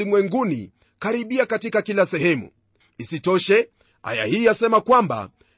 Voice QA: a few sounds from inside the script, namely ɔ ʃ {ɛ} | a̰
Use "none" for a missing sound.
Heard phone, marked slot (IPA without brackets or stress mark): ɛ